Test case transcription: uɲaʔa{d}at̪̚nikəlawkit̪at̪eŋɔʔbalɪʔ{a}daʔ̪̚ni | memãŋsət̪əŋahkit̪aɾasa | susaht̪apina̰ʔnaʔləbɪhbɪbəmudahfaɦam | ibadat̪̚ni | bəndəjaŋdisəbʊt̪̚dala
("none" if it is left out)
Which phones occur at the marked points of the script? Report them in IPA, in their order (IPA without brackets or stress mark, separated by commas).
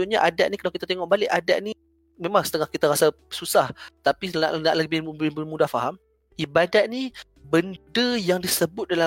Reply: d, a